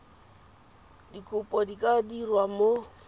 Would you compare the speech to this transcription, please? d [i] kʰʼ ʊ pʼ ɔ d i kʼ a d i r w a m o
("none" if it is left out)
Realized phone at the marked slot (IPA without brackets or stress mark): i